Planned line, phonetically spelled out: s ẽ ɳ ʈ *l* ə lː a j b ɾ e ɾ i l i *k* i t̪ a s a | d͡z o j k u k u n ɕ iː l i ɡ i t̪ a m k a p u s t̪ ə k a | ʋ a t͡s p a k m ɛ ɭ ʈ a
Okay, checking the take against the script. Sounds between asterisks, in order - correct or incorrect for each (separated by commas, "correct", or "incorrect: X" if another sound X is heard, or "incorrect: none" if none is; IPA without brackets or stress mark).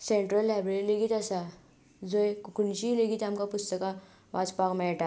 incorrect: ɾ, incorrect: ɡ